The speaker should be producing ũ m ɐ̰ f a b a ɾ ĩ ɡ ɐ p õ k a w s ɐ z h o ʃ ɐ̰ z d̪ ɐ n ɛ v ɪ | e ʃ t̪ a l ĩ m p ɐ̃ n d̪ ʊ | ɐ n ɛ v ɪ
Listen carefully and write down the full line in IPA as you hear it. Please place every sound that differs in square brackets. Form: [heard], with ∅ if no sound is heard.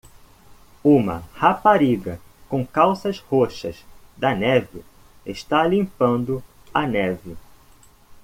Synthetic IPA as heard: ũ m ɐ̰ [h] a [p] a ɾ [i] ɡ ɐ [k] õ k a w s ɐ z h o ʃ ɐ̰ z d̪ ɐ n ɛ v ɪ | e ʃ t̪ a l ĩ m p ɐ̃ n d̪ ʊ | ɐ n ɛ v ɪ